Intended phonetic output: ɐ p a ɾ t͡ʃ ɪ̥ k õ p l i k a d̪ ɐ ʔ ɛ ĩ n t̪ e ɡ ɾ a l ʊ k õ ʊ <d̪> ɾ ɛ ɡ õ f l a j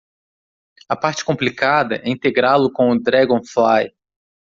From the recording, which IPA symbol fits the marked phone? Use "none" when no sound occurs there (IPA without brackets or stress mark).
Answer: d̪